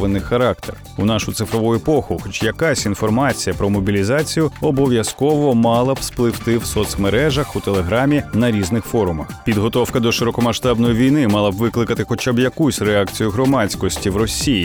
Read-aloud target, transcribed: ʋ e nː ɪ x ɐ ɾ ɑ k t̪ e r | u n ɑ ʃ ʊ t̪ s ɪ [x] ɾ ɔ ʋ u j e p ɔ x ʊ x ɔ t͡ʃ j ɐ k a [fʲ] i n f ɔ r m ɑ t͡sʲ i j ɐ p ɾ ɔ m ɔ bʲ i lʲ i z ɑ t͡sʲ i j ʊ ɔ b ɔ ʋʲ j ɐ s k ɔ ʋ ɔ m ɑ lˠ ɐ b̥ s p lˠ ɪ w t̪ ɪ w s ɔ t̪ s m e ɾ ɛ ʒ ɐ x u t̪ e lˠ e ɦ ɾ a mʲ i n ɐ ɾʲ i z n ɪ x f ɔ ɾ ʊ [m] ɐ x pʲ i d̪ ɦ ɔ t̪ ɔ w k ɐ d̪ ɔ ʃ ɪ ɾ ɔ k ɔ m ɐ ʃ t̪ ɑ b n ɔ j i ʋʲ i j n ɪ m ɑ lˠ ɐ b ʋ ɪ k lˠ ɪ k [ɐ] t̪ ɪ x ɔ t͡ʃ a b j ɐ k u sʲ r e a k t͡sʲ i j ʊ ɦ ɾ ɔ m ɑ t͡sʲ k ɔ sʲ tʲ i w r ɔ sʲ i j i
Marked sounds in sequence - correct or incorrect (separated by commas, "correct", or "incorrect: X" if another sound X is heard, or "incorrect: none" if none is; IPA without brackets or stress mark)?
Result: incorrect: f, incorrect: sʲ, correct, correct